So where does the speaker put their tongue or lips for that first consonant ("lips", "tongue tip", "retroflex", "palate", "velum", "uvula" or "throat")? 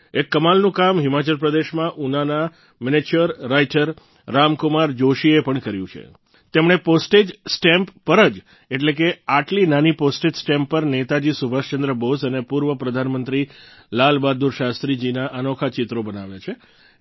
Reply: velum